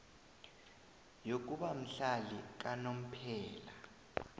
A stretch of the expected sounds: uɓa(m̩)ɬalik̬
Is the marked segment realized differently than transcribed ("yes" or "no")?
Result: no